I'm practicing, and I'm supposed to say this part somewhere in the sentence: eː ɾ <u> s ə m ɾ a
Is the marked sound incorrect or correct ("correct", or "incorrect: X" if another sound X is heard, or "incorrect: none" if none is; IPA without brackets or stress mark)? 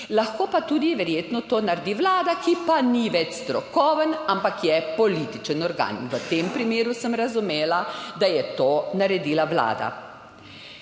correct